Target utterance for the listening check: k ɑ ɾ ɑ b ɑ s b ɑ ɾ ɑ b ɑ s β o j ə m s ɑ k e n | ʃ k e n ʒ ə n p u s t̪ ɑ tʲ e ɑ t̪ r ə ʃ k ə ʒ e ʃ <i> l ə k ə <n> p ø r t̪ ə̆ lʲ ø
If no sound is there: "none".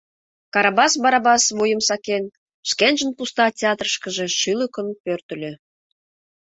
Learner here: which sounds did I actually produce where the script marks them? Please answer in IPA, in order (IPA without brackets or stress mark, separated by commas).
y, n